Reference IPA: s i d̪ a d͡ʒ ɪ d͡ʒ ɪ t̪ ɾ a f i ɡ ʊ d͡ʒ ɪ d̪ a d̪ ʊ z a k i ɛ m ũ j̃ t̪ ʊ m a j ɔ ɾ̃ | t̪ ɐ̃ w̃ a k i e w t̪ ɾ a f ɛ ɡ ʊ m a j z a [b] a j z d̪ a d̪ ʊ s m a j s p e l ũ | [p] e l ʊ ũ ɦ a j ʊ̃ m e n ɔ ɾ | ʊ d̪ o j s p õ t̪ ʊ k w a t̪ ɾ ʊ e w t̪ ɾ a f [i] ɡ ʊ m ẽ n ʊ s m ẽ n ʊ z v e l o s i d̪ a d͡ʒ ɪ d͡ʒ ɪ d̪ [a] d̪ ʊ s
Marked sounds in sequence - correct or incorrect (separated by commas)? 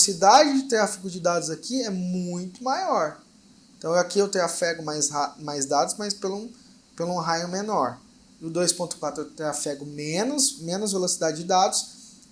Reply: incorrect, correct, incorrect, correct